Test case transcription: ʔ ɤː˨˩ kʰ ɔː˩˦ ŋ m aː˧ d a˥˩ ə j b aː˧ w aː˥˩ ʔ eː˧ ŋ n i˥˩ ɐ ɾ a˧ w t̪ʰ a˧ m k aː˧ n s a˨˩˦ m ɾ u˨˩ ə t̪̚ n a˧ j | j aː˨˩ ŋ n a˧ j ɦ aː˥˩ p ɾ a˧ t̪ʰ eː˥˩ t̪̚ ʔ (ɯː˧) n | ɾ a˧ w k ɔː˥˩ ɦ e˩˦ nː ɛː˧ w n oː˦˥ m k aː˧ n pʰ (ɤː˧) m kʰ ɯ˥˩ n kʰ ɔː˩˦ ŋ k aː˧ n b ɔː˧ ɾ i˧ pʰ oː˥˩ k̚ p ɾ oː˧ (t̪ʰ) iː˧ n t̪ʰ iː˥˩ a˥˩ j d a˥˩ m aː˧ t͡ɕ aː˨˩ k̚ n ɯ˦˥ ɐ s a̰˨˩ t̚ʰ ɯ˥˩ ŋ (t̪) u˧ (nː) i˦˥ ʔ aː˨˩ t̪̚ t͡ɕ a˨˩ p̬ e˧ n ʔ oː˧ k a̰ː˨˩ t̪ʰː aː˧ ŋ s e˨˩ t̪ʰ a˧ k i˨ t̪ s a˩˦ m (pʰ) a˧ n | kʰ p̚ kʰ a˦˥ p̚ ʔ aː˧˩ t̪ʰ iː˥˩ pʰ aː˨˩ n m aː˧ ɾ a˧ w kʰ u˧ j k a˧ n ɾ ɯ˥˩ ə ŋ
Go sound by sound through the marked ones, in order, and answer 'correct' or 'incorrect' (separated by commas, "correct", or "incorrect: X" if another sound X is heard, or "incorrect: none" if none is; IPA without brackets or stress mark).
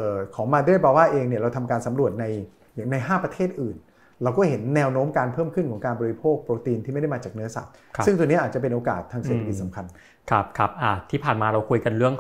incorrect: ɯː˨˩, incorrect: ɤː˥˩, incorrect: t̪, correct, incorrect: n, incorrect: kʰ